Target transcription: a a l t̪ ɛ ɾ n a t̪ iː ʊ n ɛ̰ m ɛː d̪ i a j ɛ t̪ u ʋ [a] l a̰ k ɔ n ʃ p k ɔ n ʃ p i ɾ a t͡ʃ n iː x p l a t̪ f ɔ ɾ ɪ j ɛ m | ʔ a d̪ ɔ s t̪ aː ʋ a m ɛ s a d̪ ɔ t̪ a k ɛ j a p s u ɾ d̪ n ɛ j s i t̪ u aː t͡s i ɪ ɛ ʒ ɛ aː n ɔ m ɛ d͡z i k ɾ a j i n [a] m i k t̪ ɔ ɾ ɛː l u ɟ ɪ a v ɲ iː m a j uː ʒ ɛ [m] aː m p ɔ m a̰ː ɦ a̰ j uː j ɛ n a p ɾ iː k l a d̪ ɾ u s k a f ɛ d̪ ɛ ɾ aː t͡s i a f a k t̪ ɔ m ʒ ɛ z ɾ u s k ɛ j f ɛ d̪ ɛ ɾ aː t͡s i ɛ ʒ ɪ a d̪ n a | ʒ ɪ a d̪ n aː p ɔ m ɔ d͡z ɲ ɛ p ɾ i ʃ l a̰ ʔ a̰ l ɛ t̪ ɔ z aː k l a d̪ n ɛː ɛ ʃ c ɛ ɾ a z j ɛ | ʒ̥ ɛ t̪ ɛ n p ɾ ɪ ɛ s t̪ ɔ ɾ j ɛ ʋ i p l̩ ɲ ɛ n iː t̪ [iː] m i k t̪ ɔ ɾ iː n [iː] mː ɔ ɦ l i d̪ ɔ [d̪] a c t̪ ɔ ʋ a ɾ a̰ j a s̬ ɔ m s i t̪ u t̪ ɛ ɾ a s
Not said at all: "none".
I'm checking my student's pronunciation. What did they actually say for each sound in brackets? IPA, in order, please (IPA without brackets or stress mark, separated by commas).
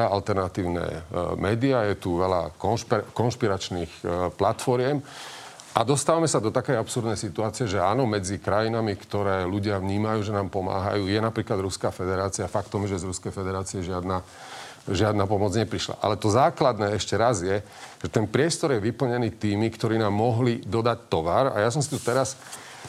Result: ɛ, a, n, iː, aː, d̪